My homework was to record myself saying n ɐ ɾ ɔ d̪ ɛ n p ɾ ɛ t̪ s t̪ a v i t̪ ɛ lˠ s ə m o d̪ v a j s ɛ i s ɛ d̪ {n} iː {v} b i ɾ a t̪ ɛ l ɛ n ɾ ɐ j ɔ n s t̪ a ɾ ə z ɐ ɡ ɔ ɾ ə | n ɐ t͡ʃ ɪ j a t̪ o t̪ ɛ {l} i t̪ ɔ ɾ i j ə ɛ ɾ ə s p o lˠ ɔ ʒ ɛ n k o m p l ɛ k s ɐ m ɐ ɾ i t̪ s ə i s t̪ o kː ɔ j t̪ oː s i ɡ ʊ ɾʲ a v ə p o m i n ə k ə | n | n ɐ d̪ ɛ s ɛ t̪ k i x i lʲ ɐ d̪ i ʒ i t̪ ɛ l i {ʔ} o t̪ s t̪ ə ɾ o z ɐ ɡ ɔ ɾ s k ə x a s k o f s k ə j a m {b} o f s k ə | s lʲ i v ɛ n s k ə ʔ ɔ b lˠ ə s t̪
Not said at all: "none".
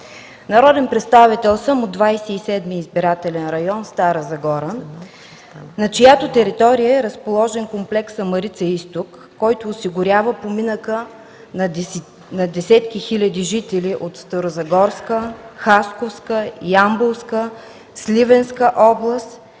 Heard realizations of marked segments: m, z, ɾ, ʔ, b

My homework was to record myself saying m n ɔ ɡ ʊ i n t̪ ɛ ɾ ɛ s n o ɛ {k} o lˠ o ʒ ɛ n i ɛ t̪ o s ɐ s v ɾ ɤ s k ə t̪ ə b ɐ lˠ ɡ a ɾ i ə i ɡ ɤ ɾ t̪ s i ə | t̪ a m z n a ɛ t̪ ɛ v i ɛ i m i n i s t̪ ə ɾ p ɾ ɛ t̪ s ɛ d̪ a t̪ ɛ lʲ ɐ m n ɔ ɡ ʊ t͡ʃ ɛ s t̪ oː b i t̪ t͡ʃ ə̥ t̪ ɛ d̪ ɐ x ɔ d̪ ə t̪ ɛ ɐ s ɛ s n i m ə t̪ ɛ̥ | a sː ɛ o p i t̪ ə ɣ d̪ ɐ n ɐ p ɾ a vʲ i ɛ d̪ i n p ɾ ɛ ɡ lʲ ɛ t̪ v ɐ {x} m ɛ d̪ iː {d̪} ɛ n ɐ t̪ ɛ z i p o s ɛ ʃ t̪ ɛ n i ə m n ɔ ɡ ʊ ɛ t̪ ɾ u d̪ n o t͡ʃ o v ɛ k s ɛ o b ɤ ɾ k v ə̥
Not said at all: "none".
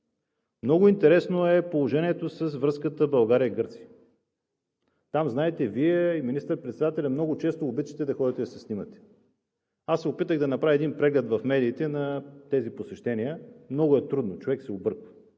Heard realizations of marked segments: p, f, t̪

